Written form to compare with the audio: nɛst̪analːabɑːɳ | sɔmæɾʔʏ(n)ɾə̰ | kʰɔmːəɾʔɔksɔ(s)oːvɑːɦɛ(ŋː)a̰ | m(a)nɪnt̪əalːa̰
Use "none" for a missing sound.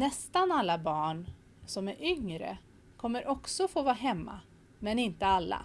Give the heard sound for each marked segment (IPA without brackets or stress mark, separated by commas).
ŋ, f, mː, ɛ